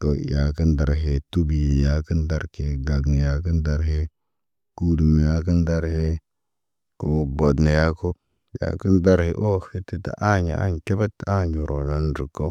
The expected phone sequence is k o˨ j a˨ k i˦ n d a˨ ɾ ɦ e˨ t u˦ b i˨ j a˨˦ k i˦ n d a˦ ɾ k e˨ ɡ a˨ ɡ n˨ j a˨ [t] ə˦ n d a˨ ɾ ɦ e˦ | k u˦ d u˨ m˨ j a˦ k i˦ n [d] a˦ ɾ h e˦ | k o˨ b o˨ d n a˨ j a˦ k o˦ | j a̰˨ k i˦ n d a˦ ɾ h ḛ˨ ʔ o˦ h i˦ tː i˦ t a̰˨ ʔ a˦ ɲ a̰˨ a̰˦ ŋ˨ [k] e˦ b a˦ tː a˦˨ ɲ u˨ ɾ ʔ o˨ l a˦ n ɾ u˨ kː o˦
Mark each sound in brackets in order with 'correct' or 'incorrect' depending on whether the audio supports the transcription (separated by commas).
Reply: incorrect, correct, correct